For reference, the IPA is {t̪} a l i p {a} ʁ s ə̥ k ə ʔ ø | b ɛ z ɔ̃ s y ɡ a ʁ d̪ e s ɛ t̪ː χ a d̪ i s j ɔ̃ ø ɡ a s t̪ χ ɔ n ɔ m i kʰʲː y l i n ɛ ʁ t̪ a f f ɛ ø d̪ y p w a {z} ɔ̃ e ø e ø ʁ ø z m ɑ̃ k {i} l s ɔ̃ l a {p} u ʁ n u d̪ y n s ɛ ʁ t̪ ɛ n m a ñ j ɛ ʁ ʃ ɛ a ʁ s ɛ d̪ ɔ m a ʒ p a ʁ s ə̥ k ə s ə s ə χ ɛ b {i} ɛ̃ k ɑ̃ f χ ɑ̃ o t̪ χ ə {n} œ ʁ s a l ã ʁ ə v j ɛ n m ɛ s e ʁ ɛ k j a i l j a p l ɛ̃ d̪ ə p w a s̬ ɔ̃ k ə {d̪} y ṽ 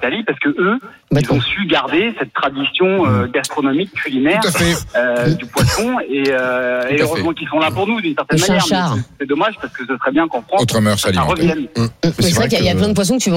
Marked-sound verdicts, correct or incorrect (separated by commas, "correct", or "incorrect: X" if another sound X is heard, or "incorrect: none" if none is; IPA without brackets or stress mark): correct, correct, incorrect: s, correct, correct, incorrect: j, incorrect: m, incorrect: t̪